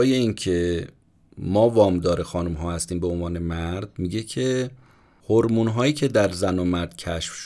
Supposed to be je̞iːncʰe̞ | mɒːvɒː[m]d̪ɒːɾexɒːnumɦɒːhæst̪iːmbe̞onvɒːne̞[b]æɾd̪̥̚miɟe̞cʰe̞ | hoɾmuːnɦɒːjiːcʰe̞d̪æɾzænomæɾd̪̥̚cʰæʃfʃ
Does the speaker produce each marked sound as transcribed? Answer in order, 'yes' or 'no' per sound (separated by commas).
yes, no